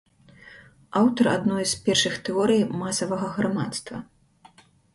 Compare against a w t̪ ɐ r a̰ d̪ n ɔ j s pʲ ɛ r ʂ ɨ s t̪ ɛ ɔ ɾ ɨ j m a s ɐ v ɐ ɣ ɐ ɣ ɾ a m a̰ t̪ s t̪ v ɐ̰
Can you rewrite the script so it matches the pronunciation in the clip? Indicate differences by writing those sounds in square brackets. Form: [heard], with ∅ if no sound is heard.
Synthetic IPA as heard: a w t̪ ɐ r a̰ d̪ n ɔ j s pʲ ɛ r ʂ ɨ [x] t̪ ɛ ɔ ɾ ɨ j m a s ɐ v ɐ ɣ ɐ ɣ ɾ a m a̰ t̪ s t̪ v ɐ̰